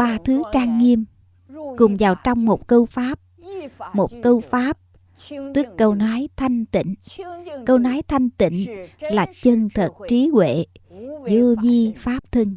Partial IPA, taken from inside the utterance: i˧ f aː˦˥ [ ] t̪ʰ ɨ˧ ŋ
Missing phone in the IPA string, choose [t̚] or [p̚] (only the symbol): p̚